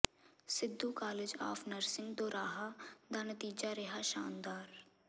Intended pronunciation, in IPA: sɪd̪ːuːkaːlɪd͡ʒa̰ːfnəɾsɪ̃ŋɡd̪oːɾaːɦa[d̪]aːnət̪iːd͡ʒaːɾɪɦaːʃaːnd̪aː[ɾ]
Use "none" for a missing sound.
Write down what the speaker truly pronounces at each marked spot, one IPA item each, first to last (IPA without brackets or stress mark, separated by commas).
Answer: d̪, ɾ